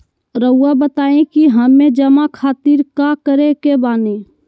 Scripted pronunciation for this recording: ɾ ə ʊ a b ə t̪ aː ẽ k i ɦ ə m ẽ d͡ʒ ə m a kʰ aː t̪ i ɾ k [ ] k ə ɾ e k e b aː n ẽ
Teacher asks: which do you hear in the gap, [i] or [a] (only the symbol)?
a